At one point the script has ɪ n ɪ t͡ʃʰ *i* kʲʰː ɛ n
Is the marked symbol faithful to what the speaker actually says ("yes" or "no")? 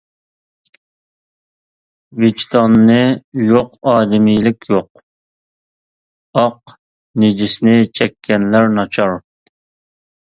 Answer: no